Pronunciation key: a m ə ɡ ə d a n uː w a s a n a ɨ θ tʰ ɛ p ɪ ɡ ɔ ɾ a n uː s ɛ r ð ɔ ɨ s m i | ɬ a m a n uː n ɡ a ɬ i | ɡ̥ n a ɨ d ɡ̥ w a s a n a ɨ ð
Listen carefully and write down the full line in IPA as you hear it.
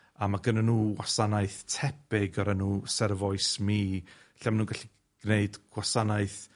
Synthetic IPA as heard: a m a ɡ ə n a n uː w a s a n a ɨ θ tʰ ɛ p ɪ ɡ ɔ ɾ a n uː s ɛ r v ɔ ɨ s m i | ɬ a m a n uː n ɡ a ɬ i | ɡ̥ n e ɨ d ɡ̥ w a s a n a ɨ θ